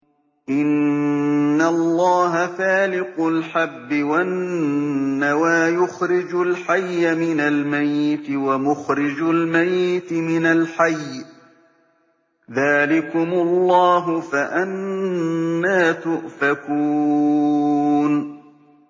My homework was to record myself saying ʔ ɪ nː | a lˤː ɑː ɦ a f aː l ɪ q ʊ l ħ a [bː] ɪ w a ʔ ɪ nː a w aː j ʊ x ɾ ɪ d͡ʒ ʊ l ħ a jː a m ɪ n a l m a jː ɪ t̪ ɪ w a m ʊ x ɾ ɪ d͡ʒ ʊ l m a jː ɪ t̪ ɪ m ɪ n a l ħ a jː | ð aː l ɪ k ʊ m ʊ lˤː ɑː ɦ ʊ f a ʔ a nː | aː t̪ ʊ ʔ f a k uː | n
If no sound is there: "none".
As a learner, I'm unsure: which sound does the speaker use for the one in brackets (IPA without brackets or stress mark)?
bː